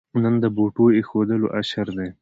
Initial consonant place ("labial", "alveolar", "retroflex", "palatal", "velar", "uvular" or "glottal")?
alveolar